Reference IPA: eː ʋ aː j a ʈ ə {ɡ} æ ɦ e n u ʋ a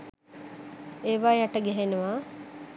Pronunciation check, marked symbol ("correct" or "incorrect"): correct